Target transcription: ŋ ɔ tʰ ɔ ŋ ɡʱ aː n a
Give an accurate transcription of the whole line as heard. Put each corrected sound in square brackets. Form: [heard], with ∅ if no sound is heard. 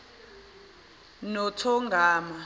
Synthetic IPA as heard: [n] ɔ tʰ ɔ ŋ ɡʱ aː [m] a

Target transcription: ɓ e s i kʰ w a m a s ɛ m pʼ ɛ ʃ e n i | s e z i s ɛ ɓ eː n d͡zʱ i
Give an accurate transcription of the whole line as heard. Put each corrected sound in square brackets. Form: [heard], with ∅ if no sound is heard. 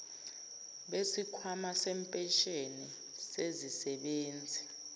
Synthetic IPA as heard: ɓ e s i kʰ w a m a s ɛ m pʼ ɛ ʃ e n i | s e z i s ɛ ɓ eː n d͡zʱ i

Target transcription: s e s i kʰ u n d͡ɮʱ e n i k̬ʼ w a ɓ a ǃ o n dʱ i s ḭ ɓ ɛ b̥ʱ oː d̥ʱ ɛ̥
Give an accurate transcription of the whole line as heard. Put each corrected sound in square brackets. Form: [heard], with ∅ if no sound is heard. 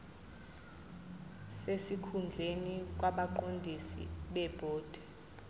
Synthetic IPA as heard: s e s i kʰ u n d͡ɮʱ e n i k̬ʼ w a ɓ a ǃ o n dʱ i s ḭ ɓ ɛ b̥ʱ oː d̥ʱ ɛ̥

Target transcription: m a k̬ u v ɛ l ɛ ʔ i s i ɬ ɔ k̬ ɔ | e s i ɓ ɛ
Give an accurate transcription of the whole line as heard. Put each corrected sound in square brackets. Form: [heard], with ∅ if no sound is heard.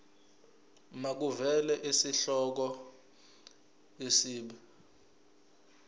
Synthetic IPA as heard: m a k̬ u v ɛ l ɛ ʔ i s i ɬ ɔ k̬ ɔ | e s [iː] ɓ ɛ

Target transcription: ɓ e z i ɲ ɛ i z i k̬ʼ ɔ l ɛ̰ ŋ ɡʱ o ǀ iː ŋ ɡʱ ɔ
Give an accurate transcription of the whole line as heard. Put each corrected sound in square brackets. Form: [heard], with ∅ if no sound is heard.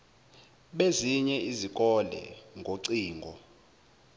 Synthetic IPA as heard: ɓ e z i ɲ ɛ i z i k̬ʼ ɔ l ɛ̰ ŋ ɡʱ o ǀ iː ŋ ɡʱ ɔ

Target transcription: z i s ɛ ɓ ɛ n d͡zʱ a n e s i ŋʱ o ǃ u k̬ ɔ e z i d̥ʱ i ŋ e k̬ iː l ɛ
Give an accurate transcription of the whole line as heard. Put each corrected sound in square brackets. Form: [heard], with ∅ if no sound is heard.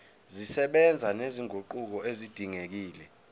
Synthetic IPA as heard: z i s ɛ ɓ ɛ n d͡zʱ a n e [z] i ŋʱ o ǃ u k̬ ɔ e z i d̥ʱ i ŋ e k̬ iː l ɛ

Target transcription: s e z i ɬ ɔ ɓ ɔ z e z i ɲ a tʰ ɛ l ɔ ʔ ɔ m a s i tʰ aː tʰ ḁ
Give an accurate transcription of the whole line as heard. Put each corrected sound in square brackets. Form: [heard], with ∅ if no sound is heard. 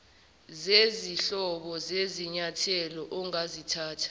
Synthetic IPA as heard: [z] e z i ɬ ɔ ɓ ɔ z e z i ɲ a tʰ ɛ l ɔ ʔ ɔ [ŋ] a [z] i tʰ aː tʰ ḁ

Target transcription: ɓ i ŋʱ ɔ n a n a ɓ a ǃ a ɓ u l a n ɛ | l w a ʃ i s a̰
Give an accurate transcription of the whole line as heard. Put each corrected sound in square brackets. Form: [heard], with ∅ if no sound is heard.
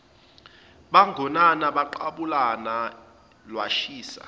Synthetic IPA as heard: ɓ [a] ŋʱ ɔ n a n a ɓ a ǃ a ɓ u l a n [a] | l w a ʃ [iː] s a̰

